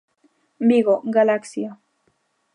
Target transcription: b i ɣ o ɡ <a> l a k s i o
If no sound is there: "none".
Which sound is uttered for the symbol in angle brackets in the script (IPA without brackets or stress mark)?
a